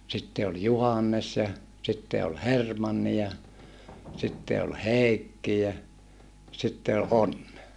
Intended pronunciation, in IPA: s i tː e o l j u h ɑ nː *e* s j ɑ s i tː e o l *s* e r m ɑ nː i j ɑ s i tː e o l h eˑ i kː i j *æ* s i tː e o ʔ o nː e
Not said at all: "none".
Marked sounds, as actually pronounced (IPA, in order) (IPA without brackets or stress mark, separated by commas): e, h, æ